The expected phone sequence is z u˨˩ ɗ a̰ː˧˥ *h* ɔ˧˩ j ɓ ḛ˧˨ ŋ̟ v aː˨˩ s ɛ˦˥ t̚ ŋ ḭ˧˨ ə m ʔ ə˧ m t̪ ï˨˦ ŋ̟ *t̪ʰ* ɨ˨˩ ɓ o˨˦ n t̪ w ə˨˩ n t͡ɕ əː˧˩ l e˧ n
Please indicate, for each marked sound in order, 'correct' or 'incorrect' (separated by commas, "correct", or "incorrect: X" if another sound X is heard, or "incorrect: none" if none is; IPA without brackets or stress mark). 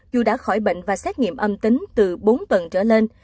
incorrect: x, incorrect: t̪